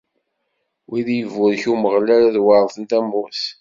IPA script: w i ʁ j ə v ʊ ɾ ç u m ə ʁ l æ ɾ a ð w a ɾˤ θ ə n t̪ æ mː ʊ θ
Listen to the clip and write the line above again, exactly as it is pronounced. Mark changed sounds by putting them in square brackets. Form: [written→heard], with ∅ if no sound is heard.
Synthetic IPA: w i [ʁ→ð] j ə v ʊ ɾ ç u m ə ʁ l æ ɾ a ð w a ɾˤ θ ə n t̪ æ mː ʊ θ